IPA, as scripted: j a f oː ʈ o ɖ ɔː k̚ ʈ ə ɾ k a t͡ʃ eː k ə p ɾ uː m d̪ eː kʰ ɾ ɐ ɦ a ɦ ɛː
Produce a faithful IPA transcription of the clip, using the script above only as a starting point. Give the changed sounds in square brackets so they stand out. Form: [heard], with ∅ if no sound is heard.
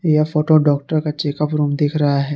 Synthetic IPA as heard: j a f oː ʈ o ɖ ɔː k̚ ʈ ə ɾ k a t͡ʃ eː k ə p ɾ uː m d̪ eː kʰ ɾ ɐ ɦ a ɦ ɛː